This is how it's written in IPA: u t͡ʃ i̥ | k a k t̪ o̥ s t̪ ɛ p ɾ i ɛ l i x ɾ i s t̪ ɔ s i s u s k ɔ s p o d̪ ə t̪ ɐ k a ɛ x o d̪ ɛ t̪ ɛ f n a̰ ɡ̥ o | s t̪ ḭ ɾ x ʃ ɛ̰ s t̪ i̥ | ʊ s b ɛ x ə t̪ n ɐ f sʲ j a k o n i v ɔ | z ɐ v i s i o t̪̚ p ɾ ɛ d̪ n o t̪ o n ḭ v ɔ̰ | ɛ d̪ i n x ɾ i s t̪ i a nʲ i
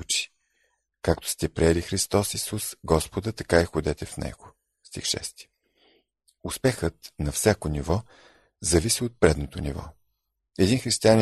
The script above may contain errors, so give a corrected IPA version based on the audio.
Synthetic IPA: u t͡ʃ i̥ | k a k t̪ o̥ s t̪ ɛ p ɾ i ɛ l i x ɾ i s t̪ ɔ s i s u s ɡ ɔ s p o d̪ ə t̪ ɐ k a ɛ x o d̪ ɛ t̪ ɛ f n ɛ̰ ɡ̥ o | s t̪ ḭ x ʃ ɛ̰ s t̪ i̥ | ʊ s p ɛ x ə t̪ n ɐ f sʲ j a k o n i v ɔ | z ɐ v i s i o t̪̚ p ɾ ɛ d̪ n o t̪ o n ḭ v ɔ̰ | ɛ d̪ i n x ɾ i s t̪ i a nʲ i